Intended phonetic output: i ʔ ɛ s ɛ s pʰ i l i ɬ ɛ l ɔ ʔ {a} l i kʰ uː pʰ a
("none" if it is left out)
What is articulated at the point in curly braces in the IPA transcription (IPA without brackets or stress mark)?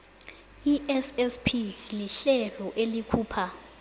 e